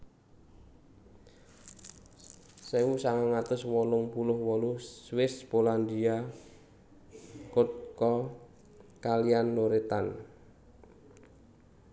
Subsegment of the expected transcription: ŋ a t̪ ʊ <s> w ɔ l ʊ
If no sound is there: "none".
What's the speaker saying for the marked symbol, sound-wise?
s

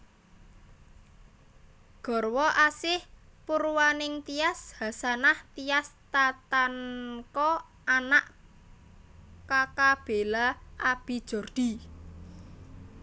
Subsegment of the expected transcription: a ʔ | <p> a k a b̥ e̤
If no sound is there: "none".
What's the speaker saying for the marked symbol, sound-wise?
k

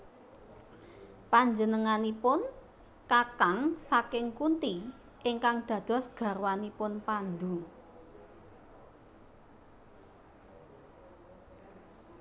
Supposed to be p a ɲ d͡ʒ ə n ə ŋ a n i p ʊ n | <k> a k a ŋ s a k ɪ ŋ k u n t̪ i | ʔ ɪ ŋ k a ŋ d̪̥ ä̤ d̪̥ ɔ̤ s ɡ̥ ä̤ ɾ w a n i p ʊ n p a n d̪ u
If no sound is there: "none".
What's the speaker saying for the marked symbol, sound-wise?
k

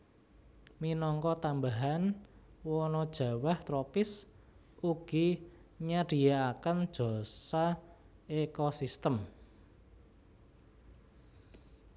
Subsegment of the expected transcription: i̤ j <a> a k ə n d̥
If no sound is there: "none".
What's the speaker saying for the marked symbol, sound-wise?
a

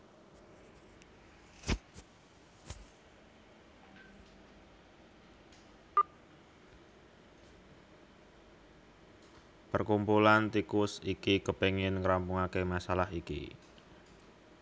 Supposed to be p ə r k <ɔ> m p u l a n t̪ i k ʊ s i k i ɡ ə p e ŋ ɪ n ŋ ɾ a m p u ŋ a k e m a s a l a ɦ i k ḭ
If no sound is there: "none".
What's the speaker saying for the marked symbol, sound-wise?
u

